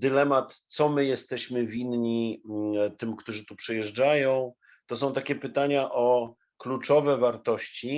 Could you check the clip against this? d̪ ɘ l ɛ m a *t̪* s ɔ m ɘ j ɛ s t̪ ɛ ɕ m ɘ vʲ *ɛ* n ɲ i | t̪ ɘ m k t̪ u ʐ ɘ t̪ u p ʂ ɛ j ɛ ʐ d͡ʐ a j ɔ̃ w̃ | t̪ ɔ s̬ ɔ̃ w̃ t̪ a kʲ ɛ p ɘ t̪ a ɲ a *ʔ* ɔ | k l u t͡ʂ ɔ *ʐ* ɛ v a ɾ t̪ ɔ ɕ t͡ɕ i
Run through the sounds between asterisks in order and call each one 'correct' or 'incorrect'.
correct, incorrect: i, correct, incorrect: v

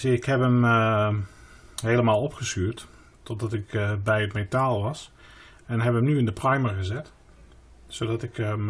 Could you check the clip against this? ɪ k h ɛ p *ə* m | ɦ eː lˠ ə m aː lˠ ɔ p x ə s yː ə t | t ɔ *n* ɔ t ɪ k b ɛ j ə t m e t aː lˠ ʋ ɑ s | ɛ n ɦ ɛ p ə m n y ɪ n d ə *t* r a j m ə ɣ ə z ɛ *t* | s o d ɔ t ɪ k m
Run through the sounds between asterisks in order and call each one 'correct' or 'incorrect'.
correct, incorrect: d, incorrect: p, correct

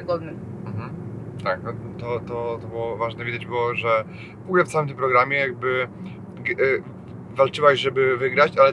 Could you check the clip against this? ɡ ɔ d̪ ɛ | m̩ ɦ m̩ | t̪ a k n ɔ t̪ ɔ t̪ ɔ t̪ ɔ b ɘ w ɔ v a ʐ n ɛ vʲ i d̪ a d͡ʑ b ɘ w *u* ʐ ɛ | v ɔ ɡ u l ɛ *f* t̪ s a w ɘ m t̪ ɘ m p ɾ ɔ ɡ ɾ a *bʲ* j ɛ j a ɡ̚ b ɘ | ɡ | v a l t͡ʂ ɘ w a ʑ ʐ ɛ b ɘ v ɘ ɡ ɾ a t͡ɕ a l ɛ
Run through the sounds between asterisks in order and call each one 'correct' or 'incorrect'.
incorrect: ɔ, correct, incorrect: mʲ

